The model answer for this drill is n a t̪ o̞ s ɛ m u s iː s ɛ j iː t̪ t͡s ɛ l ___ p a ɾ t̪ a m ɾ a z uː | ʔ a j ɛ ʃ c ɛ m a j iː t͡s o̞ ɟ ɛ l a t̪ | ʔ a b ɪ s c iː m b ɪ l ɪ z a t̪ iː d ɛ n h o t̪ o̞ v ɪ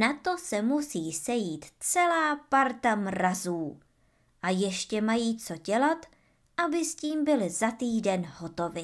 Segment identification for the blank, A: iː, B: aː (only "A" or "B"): B